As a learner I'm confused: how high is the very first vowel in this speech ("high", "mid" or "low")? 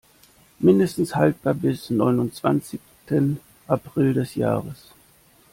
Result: high